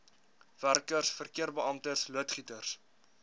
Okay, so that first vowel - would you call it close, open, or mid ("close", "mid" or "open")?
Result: open